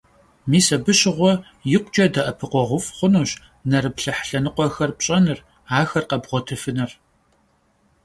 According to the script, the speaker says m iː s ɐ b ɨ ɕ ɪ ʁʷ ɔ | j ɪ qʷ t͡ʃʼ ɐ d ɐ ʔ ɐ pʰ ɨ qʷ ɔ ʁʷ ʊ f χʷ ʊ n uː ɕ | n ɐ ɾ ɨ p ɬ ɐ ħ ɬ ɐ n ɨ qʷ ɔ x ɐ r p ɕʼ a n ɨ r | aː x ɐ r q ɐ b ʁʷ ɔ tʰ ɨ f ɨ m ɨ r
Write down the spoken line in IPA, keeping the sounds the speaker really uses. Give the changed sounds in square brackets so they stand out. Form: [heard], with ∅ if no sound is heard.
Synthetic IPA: m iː s ɐ b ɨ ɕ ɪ ʁʷ ɔ | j ɪ qʷ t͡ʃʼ ɐ d ɐ ʔ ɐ pʰ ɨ qʷ ɔ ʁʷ ʊ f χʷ ʊ n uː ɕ | n ɐ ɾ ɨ p ɬ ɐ ħ ɬ ɐ n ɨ qʷ ɔ x ɐ r p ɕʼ [ɐ] n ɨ r | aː x ɐ r q ɐ b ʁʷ ɔ tʰ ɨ f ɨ [n] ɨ r